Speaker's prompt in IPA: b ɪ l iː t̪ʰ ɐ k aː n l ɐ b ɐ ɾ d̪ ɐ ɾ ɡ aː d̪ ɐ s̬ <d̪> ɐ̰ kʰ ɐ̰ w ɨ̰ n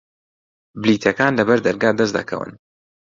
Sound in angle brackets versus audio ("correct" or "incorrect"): correct